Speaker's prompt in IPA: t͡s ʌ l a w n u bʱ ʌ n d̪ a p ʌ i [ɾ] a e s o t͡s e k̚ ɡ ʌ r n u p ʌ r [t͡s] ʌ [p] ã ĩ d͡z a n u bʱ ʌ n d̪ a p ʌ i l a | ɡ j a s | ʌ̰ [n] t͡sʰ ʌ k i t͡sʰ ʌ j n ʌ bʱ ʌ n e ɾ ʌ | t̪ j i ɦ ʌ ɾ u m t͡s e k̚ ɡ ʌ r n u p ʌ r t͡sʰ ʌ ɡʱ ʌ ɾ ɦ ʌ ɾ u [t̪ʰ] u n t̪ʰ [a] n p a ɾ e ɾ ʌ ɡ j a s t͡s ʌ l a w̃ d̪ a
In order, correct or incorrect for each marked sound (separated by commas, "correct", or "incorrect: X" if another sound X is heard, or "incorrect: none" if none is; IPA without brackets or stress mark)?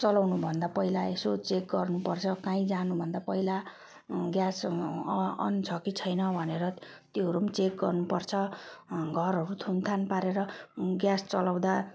incorrect: l, incorrect: t͡sʰ, incorrect: k, correct, correct, correct